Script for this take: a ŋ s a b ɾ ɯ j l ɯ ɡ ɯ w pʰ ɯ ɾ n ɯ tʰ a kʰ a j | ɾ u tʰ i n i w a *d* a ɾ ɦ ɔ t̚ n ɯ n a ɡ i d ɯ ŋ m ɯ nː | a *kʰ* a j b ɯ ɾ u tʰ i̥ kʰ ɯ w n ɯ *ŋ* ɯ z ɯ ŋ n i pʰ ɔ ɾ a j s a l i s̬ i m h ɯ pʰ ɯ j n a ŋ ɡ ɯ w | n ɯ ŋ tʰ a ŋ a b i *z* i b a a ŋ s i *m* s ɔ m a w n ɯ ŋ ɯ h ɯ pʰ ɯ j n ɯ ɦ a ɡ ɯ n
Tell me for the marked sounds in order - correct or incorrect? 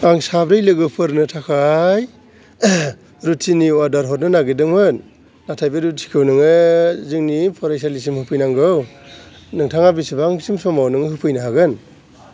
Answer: correct, incorrect: tʰ, correct, incorrect: s, correct

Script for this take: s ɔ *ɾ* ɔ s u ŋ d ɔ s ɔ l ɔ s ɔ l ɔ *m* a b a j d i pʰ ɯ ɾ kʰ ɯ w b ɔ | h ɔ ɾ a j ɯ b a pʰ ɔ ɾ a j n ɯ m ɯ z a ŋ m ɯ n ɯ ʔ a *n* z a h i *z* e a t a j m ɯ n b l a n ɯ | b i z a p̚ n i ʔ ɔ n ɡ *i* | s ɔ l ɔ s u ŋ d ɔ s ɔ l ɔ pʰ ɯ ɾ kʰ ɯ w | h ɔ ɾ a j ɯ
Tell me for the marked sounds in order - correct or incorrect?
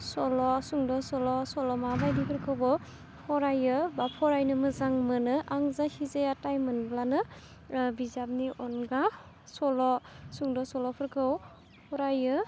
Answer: incorrect: l, correct, incorrect: ŋ, correct, incorrect: a

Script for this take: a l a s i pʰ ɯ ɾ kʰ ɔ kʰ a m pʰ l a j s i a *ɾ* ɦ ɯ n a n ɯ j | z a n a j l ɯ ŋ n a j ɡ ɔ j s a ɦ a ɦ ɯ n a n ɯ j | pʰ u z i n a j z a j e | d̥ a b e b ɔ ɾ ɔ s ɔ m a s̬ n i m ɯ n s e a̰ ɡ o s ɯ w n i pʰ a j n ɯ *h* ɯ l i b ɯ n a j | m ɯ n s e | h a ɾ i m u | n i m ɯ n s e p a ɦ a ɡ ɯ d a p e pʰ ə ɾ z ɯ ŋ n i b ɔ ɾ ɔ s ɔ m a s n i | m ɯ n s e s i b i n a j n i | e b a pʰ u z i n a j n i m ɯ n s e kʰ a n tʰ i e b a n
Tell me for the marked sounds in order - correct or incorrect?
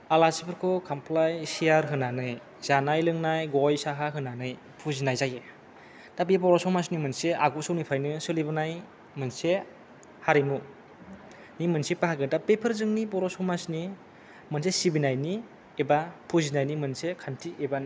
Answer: correct, incorrect: s

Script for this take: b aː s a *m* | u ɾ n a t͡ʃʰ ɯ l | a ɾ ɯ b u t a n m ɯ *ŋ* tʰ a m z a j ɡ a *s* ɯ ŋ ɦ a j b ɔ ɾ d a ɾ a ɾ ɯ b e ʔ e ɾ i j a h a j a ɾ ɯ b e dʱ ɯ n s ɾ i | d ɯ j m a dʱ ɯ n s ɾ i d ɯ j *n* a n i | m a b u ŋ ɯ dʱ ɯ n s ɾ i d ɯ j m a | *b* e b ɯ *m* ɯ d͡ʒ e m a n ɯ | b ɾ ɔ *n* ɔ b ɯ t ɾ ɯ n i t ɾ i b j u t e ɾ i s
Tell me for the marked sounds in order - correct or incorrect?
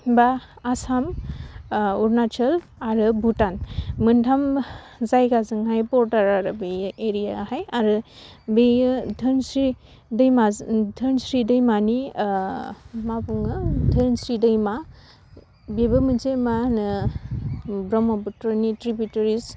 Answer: correct, incorrect: n, incorrect: z, incorrect: m, correct, correct, incorrect: m

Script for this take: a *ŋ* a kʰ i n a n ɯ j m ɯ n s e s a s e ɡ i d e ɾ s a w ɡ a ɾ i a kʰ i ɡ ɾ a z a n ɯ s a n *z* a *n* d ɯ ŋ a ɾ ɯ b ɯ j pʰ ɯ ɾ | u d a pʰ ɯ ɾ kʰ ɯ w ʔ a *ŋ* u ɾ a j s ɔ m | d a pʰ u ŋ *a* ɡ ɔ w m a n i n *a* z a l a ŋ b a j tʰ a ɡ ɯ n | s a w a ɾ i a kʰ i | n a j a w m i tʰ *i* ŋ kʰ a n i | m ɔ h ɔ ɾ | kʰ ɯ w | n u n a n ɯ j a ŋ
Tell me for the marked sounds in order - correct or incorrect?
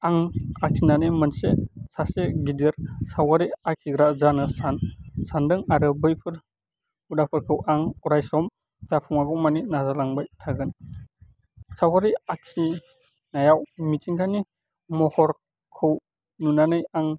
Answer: correct, incorrect: s, correct, correct, correct, correct, correct

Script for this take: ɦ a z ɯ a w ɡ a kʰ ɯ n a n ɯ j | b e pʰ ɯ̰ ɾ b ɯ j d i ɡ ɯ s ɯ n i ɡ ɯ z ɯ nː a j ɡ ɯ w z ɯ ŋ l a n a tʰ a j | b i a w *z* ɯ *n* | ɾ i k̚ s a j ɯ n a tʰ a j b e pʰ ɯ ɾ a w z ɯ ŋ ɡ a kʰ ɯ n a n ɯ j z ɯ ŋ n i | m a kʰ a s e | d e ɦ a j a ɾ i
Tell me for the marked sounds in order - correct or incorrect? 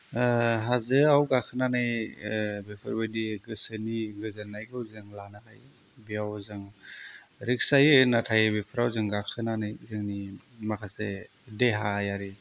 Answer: correct, incorrect: ŋ

